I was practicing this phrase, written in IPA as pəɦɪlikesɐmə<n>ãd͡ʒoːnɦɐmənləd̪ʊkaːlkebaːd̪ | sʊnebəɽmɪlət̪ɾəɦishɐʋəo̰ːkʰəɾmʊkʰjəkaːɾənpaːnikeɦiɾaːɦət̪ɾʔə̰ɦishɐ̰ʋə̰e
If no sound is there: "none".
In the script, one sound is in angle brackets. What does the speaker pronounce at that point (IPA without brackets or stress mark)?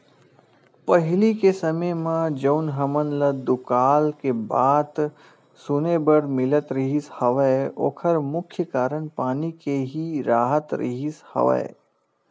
m